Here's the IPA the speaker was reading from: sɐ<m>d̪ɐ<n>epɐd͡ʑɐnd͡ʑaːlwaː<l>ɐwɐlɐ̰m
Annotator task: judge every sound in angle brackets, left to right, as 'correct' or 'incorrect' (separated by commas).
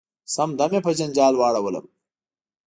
correct, incorrect, incorrect